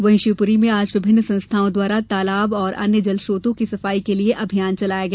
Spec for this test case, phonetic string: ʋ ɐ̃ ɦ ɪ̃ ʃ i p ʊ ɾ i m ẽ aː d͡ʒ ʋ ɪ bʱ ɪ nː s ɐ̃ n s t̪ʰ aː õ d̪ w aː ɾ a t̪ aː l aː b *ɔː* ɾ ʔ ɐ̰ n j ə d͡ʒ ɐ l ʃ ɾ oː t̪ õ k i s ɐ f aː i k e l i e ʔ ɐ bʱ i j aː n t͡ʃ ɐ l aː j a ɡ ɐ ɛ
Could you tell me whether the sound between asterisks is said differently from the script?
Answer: no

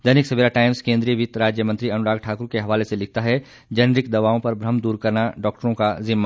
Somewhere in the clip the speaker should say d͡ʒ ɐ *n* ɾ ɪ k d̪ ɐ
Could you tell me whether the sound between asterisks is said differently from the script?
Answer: no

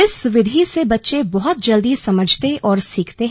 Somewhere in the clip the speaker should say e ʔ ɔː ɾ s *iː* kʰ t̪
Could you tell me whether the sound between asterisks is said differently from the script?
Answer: no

